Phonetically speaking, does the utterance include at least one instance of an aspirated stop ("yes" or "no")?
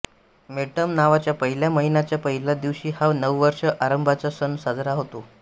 no